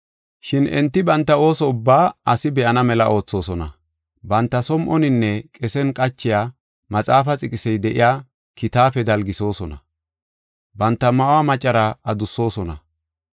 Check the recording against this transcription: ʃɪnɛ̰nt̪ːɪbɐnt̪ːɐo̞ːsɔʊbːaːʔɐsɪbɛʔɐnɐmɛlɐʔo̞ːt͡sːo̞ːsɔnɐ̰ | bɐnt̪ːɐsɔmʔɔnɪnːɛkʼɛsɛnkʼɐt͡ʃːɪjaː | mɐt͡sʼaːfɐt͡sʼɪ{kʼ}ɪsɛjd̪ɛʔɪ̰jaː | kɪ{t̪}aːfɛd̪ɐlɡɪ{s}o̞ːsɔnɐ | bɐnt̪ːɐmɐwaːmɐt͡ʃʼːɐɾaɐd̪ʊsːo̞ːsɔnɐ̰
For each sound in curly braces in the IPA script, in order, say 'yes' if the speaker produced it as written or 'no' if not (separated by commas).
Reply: yes, yes, yes